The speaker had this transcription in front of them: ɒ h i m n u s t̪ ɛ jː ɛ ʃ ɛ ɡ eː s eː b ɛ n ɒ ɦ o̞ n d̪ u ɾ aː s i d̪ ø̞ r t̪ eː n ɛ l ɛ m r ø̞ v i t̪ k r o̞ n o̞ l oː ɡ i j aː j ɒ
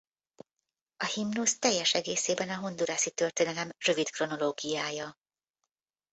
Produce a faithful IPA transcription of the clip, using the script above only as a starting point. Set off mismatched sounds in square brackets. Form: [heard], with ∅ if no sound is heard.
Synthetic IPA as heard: ɒ h i m n u s t̪ ɛ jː ɛ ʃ ɛ ɡ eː s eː b ɛ n ɒ ɦ o̞ n d̪ u ɾ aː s i [t̪] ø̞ r t̪ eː n ɛ l ɛ m r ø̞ v i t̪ k r o̞ n o̞ l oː ɡ i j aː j ɒ